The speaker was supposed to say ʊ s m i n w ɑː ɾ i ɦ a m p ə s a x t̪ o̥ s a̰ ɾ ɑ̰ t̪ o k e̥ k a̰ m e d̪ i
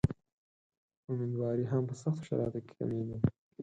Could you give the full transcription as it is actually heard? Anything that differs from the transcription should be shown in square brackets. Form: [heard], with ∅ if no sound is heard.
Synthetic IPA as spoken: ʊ [∅] m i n w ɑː ɾ i ɦ a m p ə s a x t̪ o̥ [ʃ] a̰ ɾ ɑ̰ t̪ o k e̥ k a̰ m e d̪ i

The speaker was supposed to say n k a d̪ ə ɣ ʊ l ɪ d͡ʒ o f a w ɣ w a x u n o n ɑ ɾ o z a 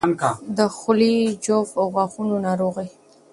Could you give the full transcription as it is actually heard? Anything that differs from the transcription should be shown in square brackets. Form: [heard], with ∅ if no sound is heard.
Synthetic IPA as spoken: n k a d̪ ə [x] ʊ l [i] d͡ʒ o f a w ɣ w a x u n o n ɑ ɾ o [ɣ] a

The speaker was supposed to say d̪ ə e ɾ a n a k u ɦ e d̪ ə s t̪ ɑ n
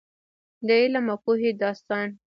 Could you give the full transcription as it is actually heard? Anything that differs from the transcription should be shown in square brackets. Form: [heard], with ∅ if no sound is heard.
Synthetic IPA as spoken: d̪ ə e [l] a [m] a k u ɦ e d̪ [ɑ] s t̪ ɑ n

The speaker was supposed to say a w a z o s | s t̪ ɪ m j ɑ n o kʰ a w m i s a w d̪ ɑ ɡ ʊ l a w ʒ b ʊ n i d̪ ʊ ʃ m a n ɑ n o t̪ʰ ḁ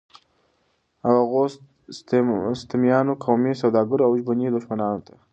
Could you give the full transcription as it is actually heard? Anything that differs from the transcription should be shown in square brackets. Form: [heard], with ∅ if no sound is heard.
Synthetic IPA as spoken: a w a [ɣ] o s | s t̪ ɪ m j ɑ n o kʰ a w m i s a w d̪ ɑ ɡ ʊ [ɾ] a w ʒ b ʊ n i d̪ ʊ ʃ m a n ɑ n o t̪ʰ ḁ

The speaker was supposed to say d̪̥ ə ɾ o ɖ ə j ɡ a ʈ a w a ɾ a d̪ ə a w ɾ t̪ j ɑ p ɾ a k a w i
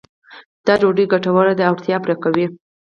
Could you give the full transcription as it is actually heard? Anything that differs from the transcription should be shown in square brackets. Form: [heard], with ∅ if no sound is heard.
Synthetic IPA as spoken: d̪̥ [ɑ] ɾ o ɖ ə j ɡ a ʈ a w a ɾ a d̪ ə a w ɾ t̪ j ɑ p ɾ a k a w i

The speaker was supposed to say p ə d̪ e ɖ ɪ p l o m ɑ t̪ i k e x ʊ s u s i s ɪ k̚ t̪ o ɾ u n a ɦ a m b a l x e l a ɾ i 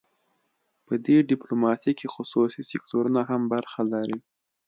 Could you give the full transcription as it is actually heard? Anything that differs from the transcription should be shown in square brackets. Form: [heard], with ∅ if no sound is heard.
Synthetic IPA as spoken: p ə d̪ e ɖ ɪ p l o m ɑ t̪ i k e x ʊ s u s i s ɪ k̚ t̪ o ɾ u n a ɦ a m b a [ɾ] x [a] l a ɾ i

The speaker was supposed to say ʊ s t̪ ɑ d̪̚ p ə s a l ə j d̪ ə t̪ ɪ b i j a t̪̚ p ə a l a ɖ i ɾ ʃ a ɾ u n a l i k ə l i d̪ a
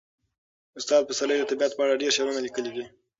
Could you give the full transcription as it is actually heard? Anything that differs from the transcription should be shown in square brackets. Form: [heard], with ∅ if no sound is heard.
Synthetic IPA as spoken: ʊ s t̪ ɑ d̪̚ p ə s a l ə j d̪ ə t̪ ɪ b i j a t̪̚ p ə a [ɽ] a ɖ [e] ɾ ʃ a ɾ u n a l i k ə l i d̪ [i]

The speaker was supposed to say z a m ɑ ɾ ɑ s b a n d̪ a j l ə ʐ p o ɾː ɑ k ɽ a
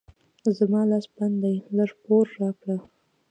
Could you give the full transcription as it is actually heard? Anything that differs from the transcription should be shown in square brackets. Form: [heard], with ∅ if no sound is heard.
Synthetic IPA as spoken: z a m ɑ [l] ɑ s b a n d̪ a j l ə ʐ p o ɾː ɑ k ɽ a

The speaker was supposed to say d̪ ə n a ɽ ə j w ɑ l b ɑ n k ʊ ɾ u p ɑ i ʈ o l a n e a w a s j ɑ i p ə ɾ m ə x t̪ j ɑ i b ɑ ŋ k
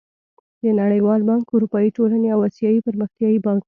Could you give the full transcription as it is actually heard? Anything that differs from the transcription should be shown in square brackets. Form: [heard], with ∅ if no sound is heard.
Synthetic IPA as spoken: d̪ ə n a ɽ ə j w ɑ l b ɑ [ŋ] k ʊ ɾ u p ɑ i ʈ o l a n e a w a s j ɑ i p ə ɾ m ə x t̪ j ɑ i b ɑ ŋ k

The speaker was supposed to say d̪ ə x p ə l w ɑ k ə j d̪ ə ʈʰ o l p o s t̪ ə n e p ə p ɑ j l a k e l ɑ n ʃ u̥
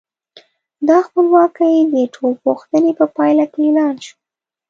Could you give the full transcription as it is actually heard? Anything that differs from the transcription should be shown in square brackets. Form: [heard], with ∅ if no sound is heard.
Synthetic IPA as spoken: d̪ [ɑ] x p ə l w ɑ k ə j d̪ ə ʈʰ o l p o [x] t̪ ə n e p ə p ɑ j l a k e l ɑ n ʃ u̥

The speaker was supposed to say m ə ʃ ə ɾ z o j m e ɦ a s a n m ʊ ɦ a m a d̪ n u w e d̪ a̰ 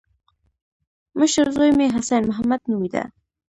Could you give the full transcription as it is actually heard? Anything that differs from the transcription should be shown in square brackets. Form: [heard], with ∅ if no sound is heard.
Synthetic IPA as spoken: m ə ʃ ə ɾ z o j m e ɦ a s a n m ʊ ɦ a m a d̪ n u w [i] d̪ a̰

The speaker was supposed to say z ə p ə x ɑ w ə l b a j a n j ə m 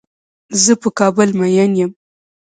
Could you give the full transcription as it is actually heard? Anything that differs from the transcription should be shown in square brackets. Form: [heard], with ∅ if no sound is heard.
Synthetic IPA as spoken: z ə p ə [k] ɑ [b] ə l [m] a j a n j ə m

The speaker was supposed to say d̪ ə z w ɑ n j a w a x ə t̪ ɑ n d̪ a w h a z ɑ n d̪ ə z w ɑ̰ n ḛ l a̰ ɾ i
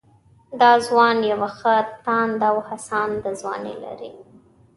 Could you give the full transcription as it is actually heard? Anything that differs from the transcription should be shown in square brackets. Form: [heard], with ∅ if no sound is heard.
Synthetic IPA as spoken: d̪ [ɑ] z w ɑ n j a w a x ə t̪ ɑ n d̪ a w h a [s] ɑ n d̪ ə z w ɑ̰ n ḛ l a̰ ɾ i

